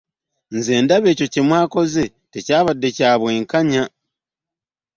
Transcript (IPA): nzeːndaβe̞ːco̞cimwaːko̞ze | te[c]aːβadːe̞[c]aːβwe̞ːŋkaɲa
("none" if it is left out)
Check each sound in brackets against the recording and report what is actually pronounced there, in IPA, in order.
c, c

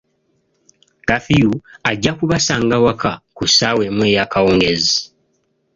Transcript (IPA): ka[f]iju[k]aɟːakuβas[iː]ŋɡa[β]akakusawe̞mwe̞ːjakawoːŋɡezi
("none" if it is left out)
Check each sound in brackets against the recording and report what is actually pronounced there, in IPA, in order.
f, none, aː, w

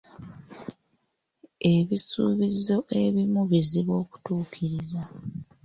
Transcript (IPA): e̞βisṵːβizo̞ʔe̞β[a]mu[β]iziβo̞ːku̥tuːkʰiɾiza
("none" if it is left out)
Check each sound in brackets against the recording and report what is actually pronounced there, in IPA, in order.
i, β

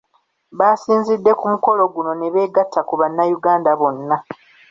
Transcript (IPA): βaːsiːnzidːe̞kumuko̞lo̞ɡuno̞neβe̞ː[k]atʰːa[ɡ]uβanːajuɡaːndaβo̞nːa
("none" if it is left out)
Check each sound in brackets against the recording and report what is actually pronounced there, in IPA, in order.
ɡ, k

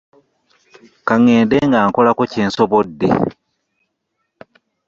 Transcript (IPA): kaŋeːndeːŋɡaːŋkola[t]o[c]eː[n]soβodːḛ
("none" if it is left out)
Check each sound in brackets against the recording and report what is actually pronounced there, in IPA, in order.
k, c, n

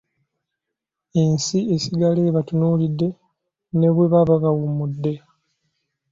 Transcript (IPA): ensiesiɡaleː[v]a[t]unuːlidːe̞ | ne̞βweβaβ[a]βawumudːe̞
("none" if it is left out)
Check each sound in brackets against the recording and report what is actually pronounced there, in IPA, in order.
β, t, a

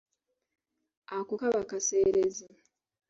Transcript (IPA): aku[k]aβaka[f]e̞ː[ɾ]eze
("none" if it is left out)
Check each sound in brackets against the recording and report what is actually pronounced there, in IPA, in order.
k, s, ɾ

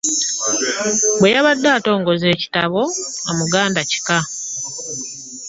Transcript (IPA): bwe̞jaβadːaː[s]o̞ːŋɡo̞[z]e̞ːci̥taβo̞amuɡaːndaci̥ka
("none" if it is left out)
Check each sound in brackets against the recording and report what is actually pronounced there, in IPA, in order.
t, z

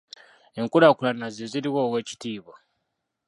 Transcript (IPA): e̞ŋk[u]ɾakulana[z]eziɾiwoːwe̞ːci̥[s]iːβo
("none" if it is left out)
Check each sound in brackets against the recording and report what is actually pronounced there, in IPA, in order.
u, z, t

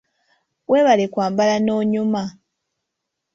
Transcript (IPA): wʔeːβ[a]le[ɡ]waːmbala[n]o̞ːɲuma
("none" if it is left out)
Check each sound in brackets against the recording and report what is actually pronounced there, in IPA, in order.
a, k, n

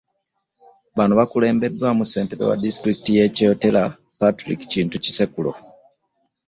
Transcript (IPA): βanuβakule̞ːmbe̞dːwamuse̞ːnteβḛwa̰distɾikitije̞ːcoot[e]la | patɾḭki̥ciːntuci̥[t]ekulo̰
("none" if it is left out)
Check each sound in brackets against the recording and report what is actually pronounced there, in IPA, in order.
e, s

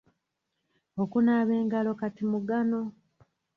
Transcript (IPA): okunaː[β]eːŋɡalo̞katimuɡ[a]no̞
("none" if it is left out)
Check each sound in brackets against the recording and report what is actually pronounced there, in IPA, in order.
β, a

